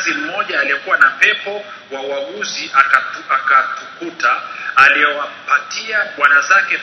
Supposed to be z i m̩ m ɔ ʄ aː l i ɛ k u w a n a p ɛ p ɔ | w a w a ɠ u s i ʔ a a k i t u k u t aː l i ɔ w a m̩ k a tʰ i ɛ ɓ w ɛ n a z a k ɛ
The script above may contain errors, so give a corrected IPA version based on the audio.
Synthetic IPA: z i m̩ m ɔ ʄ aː l i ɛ k u w a n a p ɛ p ɔ | w a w a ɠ u z i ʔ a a k a t u k u t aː l i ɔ w a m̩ p a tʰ i a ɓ w a n a z a k ɛ